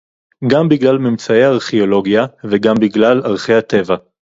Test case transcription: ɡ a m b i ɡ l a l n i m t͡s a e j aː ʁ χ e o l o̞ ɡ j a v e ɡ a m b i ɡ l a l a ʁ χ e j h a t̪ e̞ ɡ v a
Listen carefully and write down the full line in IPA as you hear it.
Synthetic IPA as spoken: ɡ a m b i ɡ l a l m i m t͡s a e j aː ʁ χ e o l o̞ ɡ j a v e ɡ a m b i ɡ l a l a ʁ χ e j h a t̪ e̞ v a